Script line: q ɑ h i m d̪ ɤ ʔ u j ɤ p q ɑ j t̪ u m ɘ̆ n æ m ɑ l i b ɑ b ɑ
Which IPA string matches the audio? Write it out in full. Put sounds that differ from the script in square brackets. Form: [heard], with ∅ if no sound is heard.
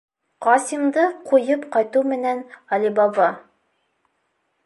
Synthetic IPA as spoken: q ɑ [s] i m d̪ ɤ [q] u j ɤ p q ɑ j t̪ u m ɘ̆ n æ [n] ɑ l i b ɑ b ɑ